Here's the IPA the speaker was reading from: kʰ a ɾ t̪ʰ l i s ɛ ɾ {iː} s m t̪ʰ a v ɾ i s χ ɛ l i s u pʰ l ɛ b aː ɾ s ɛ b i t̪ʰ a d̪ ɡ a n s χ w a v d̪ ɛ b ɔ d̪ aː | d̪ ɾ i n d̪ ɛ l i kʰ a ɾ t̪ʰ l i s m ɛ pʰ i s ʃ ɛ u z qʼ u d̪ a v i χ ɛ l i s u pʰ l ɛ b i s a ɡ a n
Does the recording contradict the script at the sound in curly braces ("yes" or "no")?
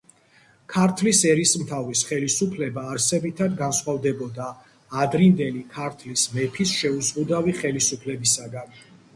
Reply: yes